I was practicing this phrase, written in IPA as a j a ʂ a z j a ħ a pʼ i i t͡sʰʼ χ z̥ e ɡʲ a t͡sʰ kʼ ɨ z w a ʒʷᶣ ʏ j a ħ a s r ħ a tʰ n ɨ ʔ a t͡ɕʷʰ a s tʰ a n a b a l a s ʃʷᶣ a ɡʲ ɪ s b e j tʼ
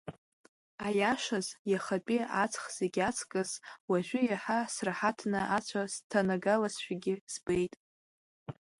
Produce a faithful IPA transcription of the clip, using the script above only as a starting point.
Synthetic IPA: a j a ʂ a z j a χ a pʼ i a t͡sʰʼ χ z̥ e ɡʲ a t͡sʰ kʼ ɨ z w a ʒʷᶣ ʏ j a ħ a s r ħ a tʰ n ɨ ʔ a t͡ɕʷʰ a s tʰ a n a ɡ a l a s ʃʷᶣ a ɡʲ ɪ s b e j tʼ